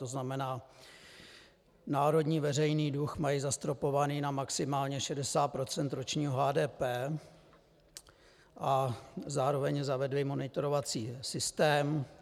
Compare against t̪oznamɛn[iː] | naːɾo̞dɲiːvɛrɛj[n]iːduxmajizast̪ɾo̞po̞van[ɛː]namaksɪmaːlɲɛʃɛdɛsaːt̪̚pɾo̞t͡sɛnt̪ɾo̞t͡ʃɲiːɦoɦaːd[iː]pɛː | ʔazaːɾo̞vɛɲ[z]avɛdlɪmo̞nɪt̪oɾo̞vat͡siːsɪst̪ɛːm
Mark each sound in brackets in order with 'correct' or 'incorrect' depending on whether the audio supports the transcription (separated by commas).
incorrect, correct, incorrect, incorrect, correct